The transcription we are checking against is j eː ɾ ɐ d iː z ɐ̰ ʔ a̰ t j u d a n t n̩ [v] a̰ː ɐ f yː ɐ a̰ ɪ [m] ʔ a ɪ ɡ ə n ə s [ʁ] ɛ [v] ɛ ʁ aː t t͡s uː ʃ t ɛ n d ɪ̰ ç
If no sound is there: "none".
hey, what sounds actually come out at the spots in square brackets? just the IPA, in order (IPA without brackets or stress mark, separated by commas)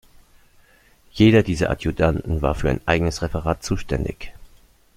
v, n, ʁ, f